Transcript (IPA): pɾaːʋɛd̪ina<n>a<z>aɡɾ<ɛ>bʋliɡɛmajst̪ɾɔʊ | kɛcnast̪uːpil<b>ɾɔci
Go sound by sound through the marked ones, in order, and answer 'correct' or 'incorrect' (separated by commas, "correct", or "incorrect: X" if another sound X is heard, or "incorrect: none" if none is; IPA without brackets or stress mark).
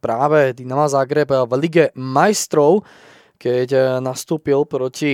incorrect: m, correct, correct, incorrect: p